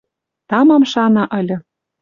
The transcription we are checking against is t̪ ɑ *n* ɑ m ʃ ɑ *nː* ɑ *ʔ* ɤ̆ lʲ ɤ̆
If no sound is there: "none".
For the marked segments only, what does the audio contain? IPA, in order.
m, n, ʔ

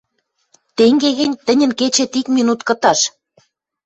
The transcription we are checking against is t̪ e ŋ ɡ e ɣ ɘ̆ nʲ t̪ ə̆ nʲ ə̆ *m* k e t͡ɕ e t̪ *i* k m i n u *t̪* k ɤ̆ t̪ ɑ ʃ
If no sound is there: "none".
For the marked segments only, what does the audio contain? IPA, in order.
n, i, t̪

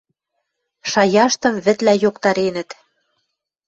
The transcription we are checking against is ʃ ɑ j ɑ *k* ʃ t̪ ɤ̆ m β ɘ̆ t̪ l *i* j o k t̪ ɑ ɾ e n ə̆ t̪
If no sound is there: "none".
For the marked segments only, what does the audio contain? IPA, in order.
none, æ

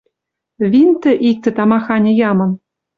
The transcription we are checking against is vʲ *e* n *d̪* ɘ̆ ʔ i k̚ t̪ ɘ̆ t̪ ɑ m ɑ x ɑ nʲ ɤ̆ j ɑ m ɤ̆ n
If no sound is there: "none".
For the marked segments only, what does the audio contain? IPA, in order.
i, t̪

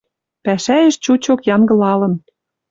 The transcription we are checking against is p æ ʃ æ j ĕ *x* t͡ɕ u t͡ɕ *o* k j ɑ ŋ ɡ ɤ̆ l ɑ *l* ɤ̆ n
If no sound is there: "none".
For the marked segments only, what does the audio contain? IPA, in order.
ʃ, o, l

